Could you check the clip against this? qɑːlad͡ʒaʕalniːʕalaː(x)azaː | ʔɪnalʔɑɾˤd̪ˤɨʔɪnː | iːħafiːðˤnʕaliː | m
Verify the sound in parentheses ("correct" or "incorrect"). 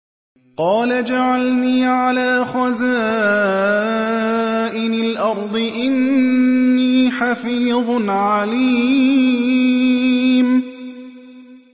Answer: correct